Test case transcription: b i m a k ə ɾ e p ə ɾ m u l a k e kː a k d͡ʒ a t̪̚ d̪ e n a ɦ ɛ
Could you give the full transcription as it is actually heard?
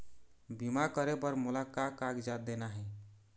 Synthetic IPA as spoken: b i m a k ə ɾ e p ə ɾ m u l a k a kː a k d͡ʒ a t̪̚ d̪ e n a ɦ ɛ